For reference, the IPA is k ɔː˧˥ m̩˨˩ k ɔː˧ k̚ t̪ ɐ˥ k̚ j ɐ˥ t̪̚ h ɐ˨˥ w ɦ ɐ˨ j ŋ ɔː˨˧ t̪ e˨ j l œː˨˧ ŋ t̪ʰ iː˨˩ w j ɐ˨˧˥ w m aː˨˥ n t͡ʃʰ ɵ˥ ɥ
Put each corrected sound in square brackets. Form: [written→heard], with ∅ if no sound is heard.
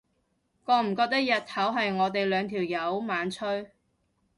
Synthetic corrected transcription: k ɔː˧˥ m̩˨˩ k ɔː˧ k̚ t̪ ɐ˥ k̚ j [ɐ˥→ɐ˨] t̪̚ h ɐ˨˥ w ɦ ɐ˨ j ŋ ɔː˨˧ t̪ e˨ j l œː˨˧ ŋ t̪ʰ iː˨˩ w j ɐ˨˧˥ w m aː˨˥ n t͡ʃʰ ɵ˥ ɥ